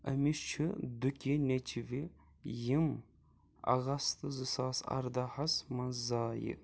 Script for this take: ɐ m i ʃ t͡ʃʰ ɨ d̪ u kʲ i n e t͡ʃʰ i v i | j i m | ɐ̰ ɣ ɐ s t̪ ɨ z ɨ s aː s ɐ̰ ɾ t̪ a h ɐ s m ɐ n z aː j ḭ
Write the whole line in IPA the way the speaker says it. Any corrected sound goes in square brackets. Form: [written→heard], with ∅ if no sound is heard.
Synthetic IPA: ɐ m i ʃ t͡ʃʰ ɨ d̪ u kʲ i n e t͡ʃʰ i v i | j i m | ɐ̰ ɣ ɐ s t̪ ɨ z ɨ s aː s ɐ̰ ɾ [t̪→d̪] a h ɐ s m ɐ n z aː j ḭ